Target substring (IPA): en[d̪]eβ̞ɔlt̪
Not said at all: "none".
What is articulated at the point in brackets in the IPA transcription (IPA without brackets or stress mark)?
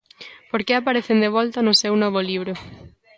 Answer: d̪